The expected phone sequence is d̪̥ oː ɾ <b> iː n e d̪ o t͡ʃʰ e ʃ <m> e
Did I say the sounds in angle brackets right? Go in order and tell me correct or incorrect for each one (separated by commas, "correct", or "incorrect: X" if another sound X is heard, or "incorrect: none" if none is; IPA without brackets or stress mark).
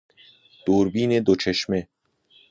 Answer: correct, correct